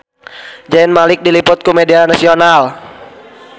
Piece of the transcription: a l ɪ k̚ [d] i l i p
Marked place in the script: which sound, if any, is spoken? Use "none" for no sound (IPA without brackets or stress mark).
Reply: d